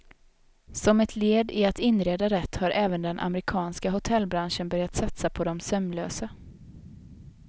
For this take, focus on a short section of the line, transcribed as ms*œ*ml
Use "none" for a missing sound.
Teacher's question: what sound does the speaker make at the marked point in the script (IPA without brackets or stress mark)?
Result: œ